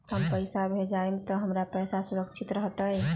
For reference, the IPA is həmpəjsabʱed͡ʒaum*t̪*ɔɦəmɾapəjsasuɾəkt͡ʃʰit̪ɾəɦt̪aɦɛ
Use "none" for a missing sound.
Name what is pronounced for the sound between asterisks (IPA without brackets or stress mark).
t̪